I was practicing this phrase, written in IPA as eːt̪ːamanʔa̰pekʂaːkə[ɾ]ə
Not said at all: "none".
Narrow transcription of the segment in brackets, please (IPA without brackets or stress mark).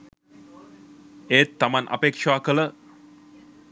l